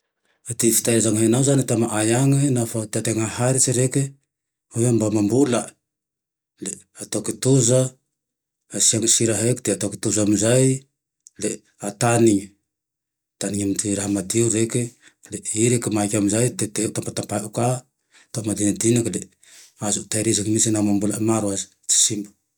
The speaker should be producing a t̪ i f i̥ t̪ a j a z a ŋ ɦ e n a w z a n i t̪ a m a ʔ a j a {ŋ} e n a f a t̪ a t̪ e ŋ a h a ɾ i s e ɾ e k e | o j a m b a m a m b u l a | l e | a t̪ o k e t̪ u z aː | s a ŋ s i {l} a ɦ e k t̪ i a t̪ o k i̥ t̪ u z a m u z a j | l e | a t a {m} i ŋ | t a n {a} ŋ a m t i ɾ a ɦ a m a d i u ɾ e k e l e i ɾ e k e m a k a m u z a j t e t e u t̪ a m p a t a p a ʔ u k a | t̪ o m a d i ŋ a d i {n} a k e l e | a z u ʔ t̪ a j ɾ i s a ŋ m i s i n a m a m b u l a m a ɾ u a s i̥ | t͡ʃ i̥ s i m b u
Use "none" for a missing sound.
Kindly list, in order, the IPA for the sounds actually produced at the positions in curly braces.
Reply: ŋ, ɾ, n, i, n

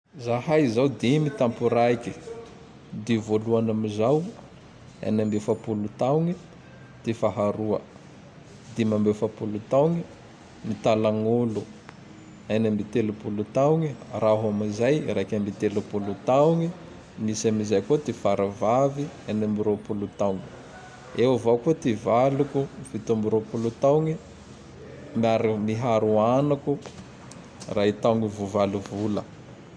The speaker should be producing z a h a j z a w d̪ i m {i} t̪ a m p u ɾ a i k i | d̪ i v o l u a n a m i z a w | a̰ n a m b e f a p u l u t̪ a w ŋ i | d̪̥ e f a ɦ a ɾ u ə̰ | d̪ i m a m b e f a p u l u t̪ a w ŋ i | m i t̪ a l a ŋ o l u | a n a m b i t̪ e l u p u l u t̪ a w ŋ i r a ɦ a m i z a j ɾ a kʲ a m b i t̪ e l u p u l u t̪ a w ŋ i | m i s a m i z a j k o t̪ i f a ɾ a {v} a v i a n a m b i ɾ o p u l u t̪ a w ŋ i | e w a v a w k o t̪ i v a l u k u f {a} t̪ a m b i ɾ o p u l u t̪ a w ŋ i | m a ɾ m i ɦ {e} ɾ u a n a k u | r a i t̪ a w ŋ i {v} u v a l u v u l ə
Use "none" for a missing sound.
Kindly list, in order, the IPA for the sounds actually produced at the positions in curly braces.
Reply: i, v, i, a, v

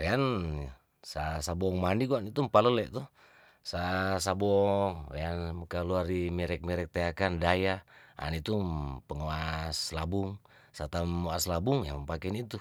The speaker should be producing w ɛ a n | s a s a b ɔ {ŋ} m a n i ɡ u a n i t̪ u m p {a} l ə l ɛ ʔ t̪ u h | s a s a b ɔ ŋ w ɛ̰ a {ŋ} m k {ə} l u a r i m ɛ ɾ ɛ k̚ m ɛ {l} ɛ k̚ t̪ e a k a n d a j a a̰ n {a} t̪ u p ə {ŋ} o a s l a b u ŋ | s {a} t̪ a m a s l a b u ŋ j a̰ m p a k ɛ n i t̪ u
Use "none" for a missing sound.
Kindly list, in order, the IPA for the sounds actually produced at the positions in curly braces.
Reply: ŋ, a, n, a, ɾ, i, ŋ, a

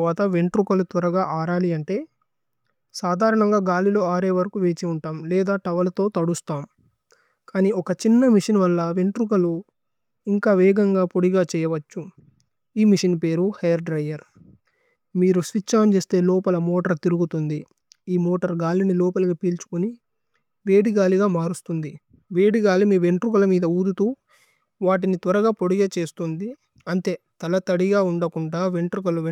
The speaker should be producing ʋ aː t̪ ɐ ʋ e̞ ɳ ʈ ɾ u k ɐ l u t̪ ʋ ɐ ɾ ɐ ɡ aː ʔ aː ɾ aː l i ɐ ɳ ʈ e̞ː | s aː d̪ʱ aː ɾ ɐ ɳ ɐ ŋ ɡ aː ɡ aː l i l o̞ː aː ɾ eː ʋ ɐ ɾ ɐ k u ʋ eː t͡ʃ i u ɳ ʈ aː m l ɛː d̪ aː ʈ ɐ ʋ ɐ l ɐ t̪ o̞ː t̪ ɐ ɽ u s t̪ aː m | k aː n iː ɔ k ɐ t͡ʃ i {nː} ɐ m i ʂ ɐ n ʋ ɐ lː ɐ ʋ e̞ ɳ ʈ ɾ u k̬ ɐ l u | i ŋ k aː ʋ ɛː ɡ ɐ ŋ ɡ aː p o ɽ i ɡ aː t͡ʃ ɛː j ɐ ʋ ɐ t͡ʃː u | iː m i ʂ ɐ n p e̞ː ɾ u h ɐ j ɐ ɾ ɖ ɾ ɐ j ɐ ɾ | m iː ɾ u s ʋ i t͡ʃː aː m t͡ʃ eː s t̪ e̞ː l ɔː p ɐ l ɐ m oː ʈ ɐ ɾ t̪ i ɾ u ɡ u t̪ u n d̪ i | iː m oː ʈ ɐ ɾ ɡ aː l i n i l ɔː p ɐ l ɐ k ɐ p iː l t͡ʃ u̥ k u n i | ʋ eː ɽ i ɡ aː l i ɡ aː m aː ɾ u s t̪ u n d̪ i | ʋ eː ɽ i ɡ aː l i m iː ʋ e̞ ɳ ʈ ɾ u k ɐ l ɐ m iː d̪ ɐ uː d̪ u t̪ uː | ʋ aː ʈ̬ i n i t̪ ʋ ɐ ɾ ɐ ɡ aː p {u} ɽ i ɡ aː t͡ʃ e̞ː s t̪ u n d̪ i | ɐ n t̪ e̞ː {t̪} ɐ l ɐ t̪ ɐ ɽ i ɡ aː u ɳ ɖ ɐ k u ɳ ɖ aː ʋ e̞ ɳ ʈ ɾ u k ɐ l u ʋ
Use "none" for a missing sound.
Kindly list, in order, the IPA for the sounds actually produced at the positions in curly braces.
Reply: nː, o, t̪

